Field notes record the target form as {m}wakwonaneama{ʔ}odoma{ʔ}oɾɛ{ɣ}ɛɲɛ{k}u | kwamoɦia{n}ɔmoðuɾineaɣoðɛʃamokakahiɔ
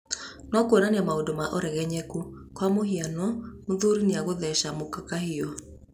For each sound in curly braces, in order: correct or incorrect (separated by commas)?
incorrect, incorrect, correct, correct, correct, correct